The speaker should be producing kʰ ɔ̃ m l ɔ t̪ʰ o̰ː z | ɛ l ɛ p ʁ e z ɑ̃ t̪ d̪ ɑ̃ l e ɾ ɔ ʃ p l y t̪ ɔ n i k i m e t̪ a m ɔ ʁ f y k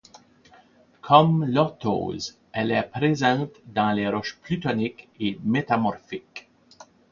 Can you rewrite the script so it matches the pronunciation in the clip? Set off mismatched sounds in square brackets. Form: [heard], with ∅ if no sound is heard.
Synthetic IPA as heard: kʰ [ɔ] m l ɔ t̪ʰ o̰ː z | ɛ l ɛ p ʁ e z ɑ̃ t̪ d̪ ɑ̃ l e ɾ ɔ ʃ p l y t̪ ɔ n i k [e] m e t̪ a m ɔ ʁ f [i] k